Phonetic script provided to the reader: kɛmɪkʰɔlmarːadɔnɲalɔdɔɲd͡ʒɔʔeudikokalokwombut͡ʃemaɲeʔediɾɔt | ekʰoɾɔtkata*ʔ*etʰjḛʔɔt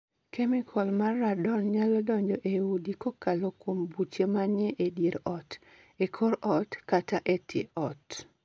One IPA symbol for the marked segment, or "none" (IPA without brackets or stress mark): ʔ